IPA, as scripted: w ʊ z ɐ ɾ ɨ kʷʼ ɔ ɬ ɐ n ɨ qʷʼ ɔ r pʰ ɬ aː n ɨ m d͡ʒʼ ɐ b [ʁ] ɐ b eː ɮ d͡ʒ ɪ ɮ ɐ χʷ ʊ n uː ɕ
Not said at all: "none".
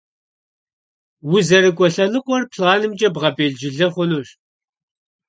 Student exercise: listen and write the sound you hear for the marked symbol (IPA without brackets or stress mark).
ʁ